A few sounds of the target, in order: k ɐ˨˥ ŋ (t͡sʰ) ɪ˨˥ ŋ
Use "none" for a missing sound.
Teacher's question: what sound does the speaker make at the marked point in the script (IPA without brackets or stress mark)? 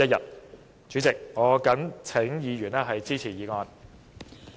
t͡sʰ